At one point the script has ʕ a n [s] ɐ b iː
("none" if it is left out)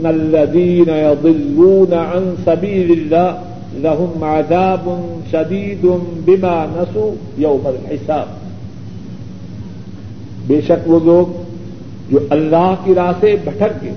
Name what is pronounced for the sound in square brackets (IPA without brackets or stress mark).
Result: s